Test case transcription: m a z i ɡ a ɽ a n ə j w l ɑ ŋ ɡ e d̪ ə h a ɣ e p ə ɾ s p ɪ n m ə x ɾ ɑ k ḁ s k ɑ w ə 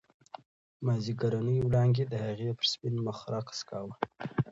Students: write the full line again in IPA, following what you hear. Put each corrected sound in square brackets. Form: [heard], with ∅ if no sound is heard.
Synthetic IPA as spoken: m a z i ɡ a [ɾ] a n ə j w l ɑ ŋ ɡ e d̪ ə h a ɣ e p ə ɾ s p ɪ n m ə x ɾ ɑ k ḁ s k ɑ w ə